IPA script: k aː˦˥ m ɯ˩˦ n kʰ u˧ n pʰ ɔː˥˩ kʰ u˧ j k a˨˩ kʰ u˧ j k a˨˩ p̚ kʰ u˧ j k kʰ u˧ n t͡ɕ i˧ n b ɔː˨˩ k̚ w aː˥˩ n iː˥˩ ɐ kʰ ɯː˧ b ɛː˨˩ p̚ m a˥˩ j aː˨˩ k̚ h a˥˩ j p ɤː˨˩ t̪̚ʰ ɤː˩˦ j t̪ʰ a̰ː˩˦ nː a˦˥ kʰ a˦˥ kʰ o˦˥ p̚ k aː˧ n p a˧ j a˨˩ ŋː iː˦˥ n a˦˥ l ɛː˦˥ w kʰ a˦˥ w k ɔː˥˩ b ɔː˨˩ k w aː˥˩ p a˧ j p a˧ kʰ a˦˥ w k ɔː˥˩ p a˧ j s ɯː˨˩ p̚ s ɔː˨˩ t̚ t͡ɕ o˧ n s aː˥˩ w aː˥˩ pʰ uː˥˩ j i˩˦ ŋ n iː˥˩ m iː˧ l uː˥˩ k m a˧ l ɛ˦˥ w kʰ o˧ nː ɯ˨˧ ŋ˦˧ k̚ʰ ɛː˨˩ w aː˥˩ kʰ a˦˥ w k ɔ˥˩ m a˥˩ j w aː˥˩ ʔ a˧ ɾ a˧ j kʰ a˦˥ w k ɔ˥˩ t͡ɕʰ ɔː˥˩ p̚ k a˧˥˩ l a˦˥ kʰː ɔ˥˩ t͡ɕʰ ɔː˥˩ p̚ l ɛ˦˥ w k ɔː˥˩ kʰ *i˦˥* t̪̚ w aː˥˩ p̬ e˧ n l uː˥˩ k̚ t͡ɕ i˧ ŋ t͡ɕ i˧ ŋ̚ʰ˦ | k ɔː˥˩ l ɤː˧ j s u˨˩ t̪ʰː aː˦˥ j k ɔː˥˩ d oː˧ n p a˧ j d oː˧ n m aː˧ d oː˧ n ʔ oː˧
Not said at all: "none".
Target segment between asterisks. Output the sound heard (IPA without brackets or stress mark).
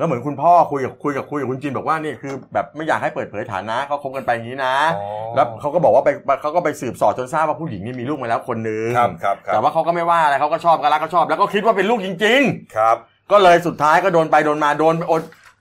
i˦˥